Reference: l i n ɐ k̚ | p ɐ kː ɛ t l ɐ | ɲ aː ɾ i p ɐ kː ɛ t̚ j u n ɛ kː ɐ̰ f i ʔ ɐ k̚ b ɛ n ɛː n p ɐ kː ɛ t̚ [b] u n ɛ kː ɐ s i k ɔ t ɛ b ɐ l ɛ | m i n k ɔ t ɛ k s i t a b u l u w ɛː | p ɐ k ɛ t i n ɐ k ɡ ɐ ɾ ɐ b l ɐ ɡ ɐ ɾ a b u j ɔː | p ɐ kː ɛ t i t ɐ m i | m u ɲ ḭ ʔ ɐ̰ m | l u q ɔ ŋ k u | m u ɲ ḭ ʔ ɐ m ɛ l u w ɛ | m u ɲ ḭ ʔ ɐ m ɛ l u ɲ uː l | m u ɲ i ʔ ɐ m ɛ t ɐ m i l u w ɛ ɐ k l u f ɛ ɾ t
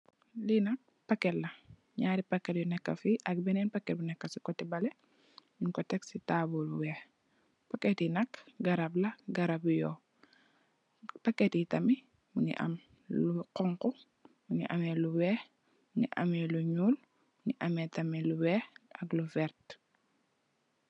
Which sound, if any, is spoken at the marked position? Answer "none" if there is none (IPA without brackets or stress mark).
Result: b